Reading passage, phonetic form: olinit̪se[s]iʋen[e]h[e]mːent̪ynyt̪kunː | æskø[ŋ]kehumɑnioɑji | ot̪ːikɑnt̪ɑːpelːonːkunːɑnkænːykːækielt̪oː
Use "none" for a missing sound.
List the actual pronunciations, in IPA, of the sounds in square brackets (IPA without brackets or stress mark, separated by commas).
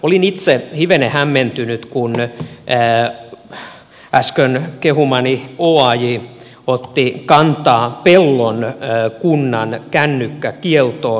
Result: h, e, æ, n